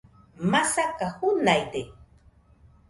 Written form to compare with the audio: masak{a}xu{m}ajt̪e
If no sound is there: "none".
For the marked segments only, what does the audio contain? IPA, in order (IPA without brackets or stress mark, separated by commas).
a, n